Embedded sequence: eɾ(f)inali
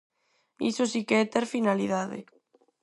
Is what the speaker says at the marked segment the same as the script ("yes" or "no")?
yes